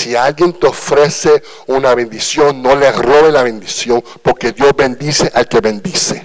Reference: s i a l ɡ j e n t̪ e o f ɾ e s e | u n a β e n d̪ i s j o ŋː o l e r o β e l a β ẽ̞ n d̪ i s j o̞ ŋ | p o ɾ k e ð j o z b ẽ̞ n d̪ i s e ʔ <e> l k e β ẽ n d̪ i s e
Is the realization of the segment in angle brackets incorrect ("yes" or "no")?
yes